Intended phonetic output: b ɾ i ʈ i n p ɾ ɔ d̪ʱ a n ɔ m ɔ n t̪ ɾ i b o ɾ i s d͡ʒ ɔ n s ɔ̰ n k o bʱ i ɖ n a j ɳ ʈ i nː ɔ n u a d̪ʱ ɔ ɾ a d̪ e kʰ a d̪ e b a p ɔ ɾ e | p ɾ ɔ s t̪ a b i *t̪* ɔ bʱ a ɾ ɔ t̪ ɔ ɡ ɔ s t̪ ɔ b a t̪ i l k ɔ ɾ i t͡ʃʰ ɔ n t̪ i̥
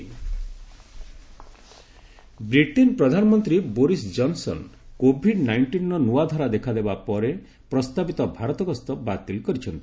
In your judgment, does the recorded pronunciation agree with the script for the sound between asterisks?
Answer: yes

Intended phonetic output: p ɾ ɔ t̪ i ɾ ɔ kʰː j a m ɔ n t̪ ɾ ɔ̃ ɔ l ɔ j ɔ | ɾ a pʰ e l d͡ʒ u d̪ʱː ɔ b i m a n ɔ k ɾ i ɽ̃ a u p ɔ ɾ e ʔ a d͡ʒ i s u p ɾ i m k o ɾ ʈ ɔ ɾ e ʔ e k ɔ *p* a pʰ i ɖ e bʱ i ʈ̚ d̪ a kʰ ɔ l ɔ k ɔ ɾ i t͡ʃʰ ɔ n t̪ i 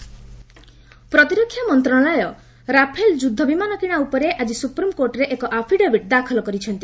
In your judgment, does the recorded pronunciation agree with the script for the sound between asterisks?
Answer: no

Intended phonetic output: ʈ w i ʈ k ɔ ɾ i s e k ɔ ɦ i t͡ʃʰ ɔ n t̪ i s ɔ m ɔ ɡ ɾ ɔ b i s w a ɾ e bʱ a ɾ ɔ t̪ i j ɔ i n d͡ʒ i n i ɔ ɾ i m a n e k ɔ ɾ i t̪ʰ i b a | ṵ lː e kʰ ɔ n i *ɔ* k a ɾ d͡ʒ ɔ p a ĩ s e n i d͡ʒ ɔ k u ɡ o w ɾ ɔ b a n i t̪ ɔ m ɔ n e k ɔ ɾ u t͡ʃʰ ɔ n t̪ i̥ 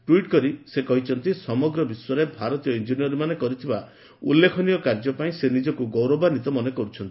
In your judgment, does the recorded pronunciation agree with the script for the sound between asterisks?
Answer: yes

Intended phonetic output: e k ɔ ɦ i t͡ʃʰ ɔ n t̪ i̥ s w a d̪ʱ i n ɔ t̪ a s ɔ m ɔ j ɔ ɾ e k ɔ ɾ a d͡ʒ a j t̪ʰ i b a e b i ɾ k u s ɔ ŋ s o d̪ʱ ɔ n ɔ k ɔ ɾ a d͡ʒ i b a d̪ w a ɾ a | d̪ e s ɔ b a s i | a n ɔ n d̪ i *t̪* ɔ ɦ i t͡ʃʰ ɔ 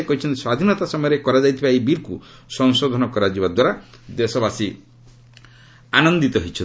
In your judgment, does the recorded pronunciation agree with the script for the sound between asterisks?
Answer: yes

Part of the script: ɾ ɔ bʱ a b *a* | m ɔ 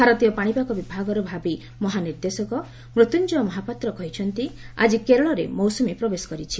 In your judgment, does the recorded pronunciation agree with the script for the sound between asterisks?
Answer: no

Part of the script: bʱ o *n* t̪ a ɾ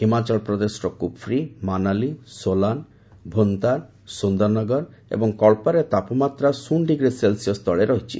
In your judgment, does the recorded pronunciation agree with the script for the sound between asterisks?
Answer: yes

